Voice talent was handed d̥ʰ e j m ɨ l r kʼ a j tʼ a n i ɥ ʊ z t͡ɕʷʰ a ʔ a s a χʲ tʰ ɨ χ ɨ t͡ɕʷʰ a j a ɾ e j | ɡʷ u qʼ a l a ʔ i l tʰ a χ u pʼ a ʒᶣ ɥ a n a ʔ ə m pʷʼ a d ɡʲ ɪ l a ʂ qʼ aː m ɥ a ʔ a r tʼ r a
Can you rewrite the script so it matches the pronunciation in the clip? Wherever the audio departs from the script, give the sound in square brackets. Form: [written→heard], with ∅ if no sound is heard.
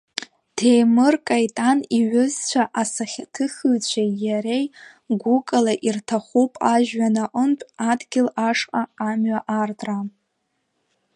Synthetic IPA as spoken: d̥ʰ e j m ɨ [l→∅] r kʼ a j tʼ a n i ɥ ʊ z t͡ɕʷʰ a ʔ a s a χʲ tʰ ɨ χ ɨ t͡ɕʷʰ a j a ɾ e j | ɡʷ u [qʼ→kʼ] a l a ʔ i [l→r] tʰ a χ u pʼ a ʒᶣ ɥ a n a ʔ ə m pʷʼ a d ɡʲ ɪ l a ʂ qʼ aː m ɥ a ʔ a r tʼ r a

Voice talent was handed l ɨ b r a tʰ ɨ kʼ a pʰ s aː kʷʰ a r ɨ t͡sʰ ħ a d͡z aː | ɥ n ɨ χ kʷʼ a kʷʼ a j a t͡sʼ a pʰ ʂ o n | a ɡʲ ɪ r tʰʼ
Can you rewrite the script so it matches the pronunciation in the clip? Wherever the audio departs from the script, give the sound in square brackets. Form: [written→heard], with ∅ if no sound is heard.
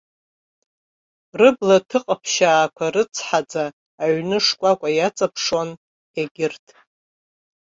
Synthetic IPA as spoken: [l→r] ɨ b [r→l] a tʰ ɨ [kʼ→qʼ] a pʰ [s→ʃ] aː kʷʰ a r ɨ t͡sʰ ħ a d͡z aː | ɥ n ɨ [χ→ʂ] kʷʼ a kʷʼ a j a t͡sʼ a pʰ ʂ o n | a ɡʲ ɪ r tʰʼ

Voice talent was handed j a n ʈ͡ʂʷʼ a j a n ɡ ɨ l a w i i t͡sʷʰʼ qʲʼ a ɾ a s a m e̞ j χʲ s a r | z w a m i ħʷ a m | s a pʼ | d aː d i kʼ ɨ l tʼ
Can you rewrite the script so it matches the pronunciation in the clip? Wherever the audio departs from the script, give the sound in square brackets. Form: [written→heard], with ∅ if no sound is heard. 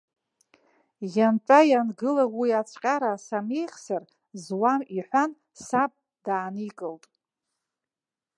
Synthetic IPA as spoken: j a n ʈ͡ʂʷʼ a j a n ɡ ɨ l a w i [i→a] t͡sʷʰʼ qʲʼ a ɾ a s a m e̞ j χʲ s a r | z w a m i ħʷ a [m→n] | s a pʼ | d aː [d→n] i kʼ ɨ l tʼ

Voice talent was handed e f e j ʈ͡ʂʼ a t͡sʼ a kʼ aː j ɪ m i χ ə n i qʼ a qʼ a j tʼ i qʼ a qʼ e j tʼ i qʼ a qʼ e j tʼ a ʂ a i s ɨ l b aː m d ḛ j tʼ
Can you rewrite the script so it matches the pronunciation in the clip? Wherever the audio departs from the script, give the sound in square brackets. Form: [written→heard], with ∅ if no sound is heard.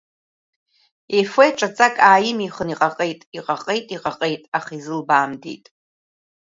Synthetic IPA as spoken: e f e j ʈ͡ʂʼ a t͡sʼ a kʼ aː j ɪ m i χ ə n i qʼ a qʼ [a→e] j tʼ i qʼ a qʼ e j tʼ i qʼ a qʼ e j tʼ a [ʂ→χ] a i [s→z] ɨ l b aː m d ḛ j tʼ

